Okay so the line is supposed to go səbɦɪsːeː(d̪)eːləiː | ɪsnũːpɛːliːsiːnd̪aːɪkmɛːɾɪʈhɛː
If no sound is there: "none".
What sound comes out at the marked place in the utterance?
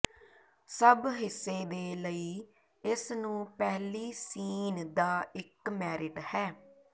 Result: d̪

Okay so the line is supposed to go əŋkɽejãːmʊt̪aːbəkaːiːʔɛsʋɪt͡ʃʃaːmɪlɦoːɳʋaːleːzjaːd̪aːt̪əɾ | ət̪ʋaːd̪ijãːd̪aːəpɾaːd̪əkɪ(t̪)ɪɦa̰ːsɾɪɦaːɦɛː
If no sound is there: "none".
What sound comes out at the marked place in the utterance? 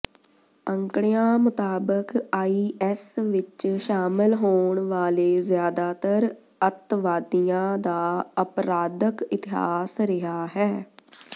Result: t̪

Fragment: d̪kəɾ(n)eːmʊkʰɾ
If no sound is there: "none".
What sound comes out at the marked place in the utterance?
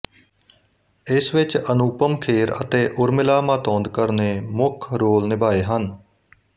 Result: n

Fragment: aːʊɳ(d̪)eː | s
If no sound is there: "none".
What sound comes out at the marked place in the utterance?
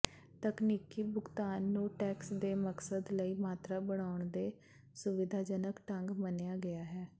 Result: d̪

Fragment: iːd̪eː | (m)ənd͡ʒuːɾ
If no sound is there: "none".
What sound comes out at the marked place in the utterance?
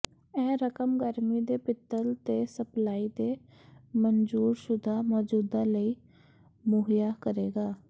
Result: m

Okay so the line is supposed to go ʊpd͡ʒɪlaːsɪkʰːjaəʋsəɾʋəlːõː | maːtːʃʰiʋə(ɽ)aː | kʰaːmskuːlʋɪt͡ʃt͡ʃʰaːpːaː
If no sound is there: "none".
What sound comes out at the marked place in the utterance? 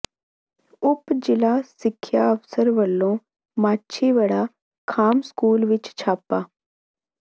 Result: ɽ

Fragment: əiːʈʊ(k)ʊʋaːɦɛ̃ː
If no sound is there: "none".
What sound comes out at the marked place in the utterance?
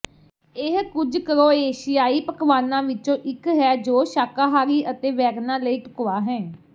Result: k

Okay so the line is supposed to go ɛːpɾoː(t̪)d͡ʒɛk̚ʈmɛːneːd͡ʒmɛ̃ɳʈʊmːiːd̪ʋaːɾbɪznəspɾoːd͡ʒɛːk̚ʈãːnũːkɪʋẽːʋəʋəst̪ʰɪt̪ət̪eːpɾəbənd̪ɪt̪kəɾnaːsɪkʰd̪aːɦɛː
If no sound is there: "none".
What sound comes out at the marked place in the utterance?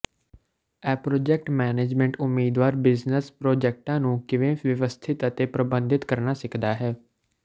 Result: none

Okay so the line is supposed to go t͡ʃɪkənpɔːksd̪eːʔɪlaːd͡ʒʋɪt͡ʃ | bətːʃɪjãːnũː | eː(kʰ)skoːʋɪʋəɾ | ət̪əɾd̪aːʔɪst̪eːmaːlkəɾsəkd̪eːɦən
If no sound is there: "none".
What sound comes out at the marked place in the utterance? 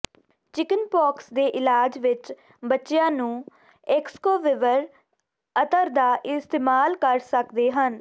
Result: k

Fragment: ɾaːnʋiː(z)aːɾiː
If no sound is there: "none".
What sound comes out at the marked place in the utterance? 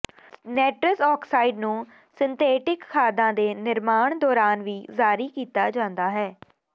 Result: z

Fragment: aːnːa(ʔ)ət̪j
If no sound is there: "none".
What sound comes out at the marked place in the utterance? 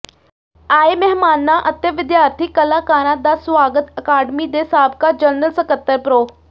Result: ʔ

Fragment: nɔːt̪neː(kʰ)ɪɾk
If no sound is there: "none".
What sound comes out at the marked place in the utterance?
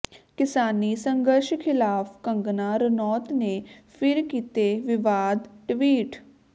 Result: pʰ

